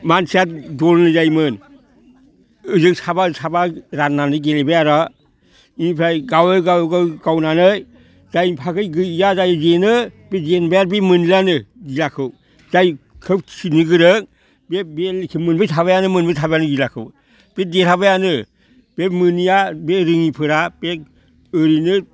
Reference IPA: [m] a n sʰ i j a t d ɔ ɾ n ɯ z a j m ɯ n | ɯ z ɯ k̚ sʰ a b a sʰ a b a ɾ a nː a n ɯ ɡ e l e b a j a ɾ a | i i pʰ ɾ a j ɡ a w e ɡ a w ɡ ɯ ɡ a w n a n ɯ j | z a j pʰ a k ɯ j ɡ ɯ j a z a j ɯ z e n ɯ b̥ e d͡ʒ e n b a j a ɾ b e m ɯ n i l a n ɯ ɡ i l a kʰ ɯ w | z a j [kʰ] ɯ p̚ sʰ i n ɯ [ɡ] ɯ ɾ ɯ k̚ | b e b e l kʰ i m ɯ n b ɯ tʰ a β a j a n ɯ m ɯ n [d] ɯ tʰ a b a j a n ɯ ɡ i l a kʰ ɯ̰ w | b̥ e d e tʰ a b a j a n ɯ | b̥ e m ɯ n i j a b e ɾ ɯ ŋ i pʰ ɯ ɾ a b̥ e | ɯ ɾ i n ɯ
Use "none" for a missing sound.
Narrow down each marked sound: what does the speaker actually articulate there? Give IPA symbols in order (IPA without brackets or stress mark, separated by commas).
m, kʰ, ɡ, b